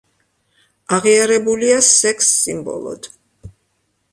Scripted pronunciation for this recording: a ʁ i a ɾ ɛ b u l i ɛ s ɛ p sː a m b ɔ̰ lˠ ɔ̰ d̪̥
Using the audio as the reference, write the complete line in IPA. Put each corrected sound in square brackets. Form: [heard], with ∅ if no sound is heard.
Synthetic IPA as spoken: a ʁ i a ɾ ɛ b u l i [a] s ɛ [k] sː [i] m b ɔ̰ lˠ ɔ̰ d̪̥